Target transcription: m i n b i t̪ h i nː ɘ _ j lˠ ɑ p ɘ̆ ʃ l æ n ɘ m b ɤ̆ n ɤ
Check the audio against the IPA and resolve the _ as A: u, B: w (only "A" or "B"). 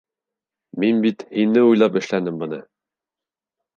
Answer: A